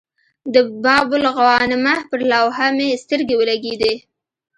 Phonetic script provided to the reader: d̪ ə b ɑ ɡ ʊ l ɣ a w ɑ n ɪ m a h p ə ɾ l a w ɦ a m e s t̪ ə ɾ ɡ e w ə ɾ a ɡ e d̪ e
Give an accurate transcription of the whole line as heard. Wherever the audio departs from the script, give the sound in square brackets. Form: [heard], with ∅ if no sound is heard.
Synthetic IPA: d̪ ə b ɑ [b] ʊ l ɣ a w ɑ n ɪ m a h p ə ɾ l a w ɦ a m e s t̪ ə ɾ ɡ e w ə [l] a ɡ e d̪ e